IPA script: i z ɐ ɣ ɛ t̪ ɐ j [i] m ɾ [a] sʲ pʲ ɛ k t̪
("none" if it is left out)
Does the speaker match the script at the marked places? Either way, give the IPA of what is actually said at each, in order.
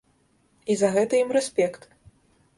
i, ɛ

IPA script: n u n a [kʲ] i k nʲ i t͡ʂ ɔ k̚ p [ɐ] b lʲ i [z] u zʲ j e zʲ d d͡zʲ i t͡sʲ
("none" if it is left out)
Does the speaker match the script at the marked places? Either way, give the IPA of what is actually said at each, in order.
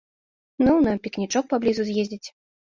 pʲ, a, z

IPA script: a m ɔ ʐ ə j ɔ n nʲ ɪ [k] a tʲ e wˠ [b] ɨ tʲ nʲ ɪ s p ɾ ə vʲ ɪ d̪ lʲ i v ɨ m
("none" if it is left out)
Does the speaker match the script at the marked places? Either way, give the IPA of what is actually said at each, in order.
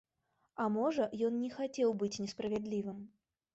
x, b

